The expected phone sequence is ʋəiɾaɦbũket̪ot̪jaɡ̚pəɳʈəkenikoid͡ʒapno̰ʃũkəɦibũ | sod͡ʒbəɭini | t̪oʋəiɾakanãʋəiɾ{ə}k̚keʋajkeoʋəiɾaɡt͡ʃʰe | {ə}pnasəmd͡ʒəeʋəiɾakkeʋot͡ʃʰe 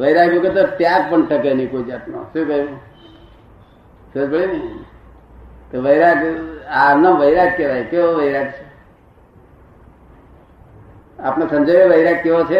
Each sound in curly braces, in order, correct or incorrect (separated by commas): incorrect, incorrect